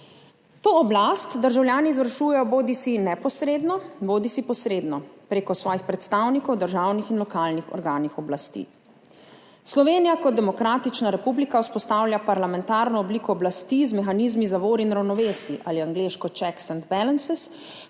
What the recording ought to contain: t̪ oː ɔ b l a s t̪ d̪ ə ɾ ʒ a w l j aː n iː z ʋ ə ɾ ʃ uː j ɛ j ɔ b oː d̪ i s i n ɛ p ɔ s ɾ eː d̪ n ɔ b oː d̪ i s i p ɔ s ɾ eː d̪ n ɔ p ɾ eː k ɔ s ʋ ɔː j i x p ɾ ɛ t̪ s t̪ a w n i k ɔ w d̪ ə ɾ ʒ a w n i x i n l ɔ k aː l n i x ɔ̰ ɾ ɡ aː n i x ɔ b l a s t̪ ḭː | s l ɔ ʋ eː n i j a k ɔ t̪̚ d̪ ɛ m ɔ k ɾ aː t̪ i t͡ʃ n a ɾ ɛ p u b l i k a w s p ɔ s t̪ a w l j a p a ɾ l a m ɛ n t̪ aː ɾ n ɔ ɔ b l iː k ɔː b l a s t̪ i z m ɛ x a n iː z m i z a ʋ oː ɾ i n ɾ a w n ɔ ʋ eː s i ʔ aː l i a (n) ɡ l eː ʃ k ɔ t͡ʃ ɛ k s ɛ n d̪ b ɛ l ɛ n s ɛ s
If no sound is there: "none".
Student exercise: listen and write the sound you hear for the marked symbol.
ŋ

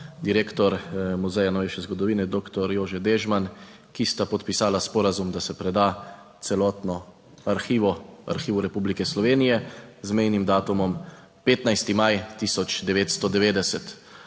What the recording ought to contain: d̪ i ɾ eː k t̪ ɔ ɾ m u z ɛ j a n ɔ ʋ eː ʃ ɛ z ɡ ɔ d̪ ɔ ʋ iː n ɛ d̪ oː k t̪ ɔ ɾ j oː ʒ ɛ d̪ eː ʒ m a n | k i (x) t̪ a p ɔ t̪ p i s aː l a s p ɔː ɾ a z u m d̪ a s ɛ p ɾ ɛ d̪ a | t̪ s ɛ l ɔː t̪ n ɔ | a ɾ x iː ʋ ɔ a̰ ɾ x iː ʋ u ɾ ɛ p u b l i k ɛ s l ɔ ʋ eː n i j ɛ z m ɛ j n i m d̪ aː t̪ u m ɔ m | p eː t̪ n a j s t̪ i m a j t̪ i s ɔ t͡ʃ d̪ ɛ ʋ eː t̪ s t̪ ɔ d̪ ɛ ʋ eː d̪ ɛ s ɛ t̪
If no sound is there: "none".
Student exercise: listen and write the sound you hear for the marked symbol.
s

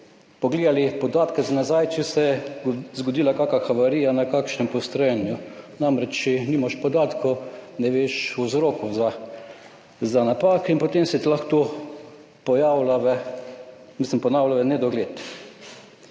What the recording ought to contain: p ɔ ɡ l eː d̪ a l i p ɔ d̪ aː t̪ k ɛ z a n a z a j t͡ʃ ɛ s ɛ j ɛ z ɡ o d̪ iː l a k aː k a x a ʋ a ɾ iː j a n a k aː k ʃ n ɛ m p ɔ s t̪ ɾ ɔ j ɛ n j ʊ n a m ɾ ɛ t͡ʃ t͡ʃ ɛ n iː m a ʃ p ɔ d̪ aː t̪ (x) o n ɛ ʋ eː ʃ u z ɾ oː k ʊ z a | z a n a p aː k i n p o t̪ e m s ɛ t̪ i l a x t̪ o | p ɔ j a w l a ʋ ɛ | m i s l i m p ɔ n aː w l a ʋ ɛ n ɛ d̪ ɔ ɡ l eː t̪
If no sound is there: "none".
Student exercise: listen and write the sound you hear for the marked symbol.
k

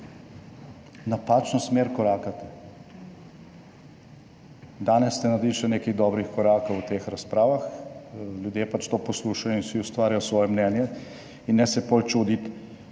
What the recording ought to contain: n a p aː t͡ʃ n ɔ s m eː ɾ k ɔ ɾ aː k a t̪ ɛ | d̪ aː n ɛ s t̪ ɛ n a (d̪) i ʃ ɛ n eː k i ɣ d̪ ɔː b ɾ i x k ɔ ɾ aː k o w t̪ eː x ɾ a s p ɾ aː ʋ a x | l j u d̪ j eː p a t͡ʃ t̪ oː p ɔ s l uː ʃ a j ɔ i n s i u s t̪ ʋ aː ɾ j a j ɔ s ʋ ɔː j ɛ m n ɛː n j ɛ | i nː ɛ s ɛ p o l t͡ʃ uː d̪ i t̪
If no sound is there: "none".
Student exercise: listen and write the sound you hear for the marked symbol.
d̪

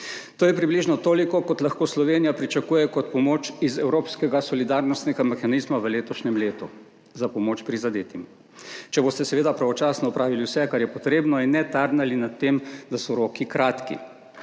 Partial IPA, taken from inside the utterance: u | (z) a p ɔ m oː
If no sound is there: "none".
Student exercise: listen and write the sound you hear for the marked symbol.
z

